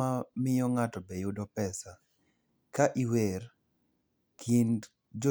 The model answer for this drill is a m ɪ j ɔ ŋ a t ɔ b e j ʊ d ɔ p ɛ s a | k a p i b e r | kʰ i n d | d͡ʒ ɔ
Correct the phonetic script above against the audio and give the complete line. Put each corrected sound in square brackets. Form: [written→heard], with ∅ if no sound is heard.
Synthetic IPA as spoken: a m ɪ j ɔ ŋ a t ɔ b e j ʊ d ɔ p ɛ s a | k a [p→ʔ] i [b→w] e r | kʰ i n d | d͡ʒ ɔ